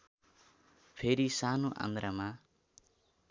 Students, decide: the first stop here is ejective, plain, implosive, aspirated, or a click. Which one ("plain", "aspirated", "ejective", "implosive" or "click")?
aspirated